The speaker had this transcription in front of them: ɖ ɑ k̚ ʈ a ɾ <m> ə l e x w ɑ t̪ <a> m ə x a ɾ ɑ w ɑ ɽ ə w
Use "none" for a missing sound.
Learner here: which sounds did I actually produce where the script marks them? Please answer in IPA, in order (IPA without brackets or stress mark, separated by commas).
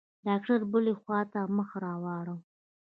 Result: b, a